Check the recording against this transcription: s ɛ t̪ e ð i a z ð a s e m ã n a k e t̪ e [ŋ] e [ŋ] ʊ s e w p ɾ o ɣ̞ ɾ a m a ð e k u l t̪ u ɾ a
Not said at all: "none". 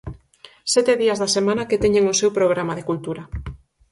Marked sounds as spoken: ɲ, ŋ

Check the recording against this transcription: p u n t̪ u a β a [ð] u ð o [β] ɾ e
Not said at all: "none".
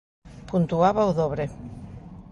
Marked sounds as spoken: none, β

